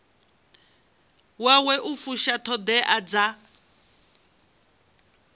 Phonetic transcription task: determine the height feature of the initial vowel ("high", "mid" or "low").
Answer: low